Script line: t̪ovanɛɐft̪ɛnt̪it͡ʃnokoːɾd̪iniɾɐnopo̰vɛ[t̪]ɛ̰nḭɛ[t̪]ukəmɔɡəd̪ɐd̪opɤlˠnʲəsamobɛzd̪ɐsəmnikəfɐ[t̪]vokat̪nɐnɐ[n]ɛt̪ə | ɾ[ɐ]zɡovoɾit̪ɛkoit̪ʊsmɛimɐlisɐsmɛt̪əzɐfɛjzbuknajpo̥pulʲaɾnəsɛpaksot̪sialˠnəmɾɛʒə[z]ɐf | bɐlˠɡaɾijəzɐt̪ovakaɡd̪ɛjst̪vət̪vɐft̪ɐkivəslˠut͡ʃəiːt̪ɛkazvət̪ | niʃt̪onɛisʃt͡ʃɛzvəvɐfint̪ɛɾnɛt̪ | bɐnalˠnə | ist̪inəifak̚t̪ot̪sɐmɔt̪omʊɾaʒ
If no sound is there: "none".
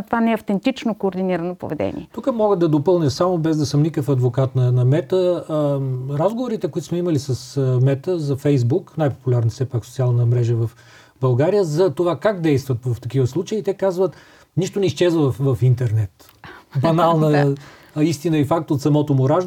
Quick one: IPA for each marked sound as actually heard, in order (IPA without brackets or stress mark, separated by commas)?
d̪, t̪, d̪, m, a, v